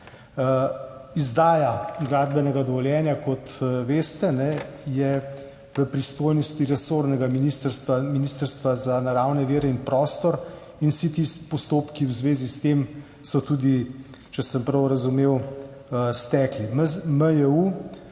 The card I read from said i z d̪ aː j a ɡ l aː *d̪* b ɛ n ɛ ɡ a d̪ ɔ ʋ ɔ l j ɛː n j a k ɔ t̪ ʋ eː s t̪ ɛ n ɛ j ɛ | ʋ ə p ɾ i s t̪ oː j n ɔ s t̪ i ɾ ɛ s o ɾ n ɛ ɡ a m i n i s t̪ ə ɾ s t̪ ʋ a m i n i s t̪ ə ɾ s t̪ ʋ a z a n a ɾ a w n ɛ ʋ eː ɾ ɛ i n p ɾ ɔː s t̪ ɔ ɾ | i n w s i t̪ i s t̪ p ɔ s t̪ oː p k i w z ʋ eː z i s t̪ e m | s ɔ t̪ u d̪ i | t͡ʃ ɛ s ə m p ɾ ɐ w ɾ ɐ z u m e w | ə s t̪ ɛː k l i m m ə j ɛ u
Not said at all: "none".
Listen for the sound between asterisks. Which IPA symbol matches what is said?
d̪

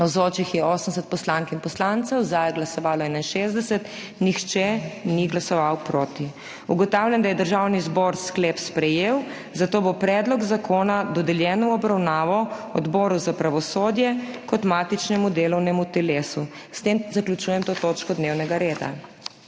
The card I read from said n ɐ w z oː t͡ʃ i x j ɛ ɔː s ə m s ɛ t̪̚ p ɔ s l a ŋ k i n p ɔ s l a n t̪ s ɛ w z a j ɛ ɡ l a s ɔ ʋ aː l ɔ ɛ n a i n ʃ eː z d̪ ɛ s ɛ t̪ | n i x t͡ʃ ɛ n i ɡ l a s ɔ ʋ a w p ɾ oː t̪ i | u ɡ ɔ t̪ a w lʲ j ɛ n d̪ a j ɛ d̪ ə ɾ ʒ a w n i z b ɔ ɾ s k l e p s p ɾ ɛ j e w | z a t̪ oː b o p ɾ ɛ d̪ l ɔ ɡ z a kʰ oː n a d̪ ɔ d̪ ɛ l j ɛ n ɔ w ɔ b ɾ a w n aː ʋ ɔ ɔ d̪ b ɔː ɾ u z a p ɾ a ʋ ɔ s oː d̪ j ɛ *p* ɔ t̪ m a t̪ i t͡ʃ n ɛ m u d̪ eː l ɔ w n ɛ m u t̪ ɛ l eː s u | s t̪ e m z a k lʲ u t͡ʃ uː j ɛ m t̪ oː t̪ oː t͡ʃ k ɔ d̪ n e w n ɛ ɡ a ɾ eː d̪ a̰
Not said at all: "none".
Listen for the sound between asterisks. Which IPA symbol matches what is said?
k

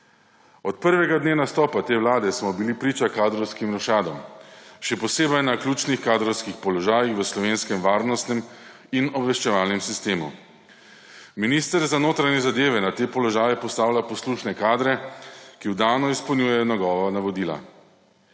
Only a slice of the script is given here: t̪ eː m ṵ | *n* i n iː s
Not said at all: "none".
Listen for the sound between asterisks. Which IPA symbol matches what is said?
m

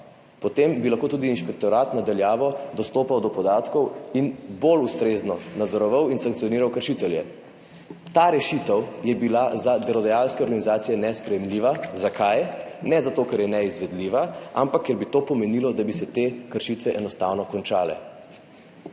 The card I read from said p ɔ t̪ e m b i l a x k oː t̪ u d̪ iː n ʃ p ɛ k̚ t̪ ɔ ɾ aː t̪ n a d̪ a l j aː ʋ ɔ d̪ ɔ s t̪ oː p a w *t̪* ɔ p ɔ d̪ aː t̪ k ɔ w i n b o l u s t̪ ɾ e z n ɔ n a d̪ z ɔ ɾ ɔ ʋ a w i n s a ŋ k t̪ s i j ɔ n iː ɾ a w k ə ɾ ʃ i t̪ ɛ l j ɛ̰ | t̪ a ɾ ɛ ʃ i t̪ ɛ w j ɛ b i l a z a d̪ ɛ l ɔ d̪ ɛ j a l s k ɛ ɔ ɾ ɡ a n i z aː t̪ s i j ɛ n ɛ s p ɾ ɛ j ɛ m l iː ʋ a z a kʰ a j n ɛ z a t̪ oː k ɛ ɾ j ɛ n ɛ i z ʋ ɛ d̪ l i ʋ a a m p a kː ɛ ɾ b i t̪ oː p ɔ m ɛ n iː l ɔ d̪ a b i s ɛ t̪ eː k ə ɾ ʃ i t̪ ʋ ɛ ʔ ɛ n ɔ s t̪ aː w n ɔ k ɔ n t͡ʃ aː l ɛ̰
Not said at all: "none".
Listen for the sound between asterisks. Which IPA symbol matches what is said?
d̪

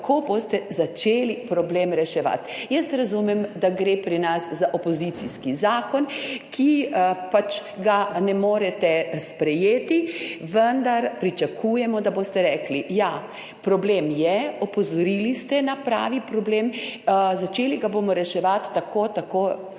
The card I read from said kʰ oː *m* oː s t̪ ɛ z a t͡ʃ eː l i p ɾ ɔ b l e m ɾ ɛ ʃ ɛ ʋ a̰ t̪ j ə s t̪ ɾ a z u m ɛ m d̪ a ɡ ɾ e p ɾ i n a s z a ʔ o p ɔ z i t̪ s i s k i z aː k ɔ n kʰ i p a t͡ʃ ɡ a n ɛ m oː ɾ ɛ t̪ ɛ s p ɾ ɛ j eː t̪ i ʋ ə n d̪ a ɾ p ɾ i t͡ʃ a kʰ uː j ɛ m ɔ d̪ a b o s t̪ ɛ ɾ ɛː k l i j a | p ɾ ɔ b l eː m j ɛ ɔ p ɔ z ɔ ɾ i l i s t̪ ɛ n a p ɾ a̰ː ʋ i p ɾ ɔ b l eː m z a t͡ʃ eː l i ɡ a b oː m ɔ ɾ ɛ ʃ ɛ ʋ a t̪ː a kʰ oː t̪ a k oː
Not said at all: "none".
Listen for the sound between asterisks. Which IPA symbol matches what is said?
b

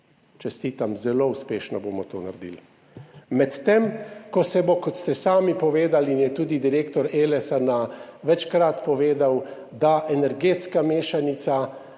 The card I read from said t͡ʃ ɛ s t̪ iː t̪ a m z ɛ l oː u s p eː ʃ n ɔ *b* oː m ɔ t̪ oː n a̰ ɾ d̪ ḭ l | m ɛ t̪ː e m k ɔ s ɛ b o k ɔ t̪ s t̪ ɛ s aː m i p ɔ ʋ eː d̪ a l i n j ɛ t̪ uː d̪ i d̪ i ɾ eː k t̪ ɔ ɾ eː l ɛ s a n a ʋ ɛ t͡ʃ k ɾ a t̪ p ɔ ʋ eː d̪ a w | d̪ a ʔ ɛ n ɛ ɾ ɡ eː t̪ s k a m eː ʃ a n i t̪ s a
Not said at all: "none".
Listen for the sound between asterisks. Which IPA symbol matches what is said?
b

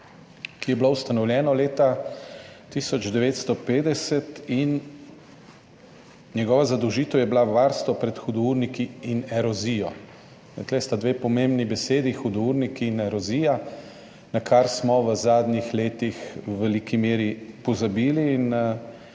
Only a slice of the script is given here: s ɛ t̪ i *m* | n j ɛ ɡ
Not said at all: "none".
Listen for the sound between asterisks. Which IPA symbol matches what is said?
n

